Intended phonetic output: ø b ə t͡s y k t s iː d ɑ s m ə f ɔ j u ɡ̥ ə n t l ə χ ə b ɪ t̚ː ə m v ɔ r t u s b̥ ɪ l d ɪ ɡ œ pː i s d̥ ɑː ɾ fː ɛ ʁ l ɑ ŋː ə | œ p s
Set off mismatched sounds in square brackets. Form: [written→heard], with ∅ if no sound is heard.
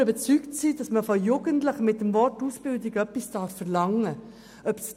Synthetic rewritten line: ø b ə t͡s y k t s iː d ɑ s m ə f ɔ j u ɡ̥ ə n t l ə χ ə [b→m] ɪ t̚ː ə m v ɔ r t u s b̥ ɪ l d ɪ ɡ œ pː i s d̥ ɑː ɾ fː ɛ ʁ l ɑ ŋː ə | œ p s